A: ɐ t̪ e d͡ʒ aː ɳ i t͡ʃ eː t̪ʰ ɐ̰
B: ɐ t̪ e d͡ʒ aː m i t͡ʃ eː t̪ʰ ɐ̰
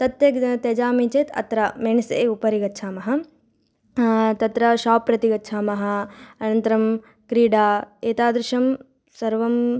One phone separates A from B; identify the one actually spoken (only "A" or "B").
B